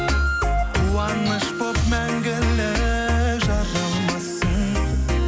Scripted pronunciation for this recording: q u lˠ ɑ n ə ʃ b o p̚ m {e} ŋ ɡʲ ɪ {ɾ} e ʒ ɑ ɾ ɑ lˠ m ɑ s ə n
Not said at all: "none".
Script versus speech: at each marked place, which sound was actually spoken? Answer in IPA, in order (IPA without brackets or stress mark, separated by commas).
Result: æ, l